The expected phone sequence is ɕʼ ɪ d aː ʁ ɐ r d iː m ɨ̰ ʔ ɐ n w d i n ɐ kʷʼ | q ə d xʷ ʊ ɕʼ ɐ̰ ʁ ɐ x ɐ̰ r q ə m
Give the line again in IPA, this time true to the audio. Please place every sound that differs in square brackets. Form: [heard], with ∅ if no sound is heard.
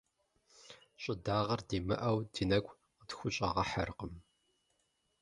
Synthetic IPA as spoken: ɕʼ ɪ d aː ʁ ɐ r d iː m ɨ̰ ʔ ɐ [∅] w d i n ɐ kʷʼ | q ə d xʷ ʊ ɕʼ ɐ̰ ʁ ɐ [ħ] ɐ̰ r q ə m